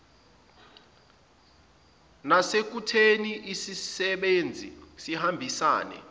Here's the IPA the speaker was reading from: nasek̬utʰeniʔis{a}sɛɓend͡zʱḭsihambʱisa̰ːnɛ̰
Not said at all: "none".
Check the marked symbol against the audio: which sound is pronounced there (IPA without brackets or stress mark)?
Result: i